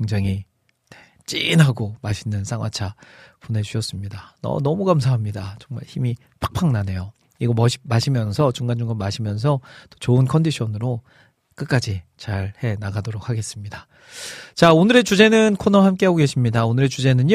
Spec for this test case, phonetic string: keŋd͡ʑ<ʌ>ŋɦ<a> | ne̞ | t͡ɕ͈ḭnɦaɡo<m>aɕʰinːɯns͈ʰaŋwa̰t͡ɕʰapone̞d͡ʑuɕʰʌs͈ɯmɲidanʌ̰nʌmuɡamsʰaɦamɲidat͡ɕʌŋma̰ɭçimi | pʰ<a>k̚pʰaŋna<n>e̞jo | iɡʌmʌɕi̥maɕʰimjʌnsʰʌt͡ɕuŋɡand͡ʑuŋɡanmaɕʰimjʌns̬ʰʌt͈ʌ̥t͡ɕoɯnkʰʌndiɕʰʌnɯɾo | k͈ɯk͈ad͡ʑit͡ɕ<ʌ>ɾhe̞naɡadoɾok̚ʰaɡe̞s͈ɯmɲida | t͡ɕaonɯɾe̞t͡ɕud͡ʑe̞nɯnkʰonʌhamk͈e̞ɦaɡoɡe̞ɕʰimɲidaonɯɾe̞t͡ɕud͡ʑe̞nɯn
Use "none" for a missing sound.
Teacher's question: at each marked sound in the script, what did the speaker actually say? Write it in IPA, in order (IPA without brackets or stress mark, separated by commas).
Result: a, i, m, a, n, a